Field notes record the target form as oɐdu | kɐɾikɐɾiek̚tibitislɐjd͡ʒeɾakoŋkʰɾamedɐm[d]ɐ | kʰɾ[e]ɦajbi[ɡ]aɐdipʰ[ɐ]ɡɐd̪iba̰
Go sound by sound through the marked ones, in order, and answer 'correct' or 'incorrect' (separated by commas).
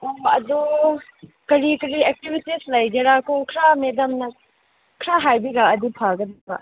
incorrect, incorrect, correct, incorrect